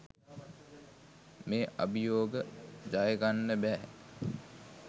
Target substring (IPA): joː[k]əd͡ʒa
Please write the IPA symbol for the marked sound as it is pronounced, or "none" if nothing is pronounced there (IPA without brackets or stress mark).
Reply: ɡ